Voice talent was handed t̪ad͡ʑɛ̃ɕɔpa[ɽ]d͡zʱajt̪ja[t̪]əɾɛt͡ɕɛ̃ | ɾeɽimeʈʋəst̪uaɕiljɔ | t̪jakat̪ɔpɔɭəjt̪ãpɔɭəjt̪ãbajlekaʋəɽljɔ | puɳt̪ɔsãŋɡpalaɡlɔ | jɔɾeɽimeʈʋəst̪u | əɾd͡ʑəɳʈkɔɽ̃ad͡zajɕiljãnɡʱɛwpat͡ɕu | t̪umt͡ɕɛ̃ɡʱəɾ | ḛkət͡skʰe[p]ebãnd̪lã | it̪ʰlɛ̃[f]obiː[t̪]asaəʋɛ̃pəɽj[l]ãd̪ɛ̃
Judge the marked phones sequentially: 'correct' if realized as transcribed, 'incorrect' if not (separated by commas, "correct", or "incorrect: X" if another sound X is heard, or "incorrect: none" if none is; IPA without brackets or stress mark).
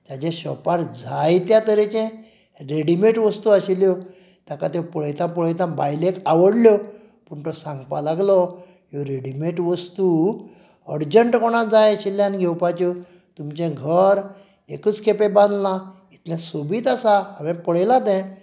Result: incorrect: ɾ, correct, correct, incorrect: s, correct, correct